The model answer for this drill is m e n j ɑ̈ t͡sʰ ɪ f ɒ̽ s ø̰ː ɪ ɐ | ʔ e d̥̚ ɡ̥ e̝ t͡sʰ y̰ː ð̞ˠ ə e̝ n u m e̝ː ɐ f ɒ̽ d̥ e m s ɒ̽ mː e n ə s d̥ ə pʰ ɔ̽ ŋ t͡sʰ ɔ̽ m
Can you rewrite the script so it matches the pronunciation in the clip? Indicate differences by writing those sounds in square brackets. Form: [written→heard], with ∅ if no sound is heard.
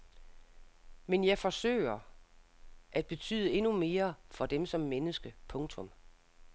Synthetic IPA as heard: m e n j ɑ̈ [t͡sʰ→∅] ɪ f ɒ̽ s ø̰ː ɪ ɐ | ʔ [e→æ] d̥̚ [ɡ̥→b̥] e̝ t͡sʰ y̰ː ð̞ˠ ə e̝ n u m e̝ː ɐ f ɒ̽ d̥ e m s ɒ̽ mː e n ə s [d̥→ɡ̥] ə pʰ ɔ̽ ŋ t͡sʰ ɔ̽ m

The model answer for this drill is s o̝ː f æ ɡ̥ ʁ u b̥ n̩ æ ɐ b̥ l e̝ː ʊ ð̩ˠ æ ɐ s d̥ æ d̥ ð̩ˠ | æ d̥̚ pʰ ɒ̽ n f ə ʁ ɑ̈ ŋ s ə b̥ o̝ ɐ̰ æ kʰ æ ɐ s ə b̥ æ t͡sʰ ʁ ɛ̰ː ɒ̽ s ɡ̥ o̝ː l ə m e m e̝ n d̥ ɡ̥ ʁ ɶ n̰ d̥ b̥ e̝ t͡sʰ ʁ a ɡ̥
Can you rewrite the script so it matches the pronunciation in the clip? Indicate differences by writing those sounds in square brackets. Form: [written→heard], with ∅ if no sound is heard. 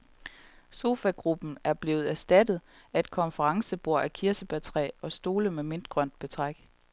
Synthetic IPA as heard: s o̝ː f æ ɡ̥ ʁ u b̥ n̩ æ ɐ b̥ l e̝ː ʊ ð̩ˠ æ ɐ s d̥ æ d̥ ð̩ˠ | æ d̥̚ [pʰ→kʰ] ɒ̽ n f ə ʁ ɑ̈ ŋ s ə b̥ o̝ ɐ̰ æ kʰ [æ→i] ɐ s ə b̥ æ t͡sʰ ʁ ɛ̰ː ɒ̽ s [ɡ̥→d̥] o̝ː l ə m e m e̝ n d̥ ɡ̥ ʁ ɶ n̰ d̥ b̥ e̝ t͡sʰ ʁ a ɡ̥

